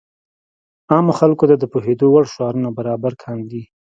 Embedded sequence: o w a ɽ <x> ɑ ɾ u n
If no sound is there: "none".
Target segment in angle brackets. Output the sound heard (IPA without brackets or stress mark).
ʃ